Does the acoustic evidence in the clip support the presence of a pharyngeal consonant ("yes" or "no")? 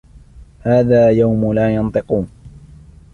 no